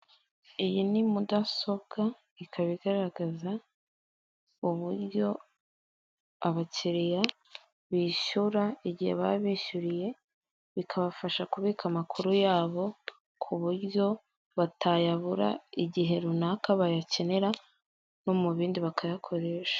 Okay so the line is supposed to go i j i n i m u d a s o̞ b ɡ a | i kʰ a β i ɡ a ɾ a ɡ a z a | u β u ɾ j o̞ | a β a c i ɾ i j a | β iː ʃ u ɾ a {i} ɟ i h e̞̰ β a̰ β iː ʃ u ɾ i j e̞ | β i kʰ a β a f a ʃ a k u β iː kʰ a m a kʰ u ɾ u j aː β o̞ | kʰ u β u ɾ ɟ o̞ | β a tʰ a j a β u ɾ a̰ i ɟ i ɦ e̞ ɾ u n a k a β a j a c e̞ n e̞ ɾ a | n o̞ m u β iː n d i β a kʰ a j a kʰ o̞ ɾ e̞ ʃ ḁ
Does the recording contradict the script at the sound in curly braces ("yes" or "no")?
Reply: no